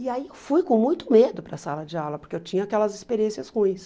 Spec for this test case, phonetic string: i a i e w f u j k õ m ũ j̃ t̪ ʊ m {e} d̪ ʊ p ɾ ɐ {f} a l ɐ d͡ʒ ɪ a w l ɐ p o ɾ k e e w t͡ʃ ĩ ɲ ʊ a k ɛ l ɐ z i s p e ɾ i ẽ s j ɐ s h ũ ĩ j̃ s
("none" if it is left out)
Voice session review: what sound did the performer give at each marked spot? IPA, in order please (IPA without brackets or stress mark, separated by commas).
e, s